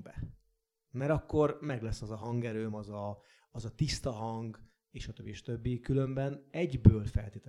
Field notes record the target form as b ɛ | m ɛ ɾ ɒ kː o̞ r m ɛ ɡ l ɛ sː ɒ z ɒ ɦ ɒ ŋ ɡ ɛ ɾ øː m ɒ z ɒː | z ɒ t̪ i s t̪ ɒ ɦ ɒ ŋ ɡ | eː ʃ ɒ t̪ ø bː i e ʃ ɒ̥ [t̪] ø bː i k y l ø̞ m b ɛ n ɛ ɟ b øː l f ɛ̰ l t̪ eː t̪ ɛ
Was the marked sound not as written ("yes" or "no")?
no